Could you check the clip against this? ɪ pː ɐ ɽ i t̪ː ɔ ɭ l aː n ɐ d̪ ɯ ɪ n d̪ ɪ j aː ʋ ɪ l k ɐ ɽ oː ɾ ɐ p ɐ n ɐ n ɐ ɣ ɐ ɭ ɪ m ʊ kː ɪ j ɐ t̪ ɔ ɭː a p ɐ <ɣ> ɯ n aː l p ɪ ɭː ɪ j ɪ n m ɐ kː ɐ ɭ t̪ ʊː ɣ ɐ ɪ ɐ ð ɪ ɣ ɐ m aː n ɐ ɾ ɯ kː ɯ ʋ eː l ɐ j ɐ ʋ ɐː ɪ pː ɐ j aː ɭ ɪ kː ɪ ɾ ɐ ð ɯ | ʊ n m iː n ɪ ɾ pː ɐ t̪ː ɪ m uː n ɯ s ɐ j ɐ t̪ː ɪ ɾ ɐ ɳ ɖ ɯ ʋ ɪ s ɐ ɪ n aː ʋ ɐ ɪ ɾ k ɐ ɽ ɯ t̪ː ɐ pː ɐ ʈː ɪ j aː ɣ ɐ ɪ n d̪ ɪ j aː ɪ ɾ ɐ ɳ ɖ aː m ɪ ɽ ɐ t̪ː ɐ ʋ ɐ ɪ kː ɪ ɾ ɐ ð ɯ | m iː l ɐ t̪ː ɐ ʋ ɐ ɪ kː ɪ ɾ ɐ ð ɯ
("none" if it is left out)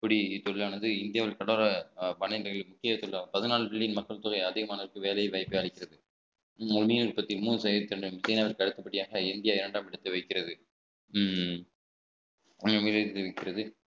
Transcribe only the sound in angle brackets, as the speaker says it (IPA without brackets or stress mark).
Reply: ð